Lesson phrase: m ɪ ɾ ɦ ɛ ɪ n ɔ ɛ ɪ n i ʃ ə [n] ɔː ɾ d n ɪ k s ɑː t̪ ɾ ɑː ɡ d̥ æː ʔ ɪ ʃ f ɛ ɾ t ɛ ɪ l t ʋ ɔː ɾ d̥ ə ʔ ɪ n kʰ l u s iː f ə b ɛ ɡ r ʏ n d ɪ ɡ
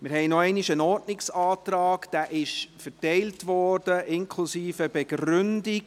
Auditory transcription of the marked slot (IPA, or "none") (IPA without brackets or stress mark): n